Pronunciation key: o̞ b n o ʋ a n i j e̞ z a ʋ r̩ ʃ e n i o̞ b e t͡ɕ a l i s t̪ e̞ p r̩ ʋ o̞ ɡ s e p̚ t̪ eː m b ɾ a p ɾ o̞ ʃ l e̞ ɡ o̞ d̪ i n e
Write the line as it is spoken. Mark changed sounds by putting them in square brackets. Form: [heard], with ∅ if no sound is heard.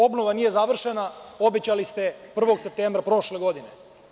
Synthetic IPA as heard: o̞ b n o ʋ a n i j e̞ z a ʋ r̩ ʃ e n [a] o̞ b e t͡ɕ a l i s t̪ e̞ p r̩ ʋ o̞ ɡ s e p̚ t̪ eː m b ɾ a p ɾ o̞ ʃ l e̞ ɡ o̞ d̪ i n e